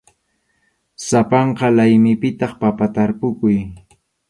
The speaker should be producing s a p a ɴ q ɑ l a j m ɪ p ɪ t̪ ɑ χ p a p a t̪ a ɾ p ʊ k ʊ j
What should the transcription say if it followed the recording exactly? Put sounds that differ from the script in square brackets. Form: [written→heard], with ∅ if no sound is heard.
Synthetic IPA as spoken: s a p [a→ɑ] ɴ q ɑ l a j m ɪ p ɪ t̪ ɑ χ p a p a t̪ a ɾ p ʊ k ʊ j